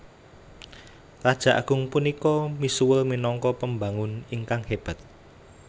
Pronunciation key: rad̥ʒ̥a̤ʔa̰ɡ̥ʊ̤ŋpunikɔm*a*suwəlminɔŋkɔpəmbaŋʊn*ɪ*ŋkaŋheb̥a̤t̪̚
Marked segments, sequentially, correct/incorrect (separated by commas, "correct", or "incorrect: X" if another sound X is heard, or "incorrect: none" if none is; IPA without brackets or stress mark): incorrect: i, incorrect: i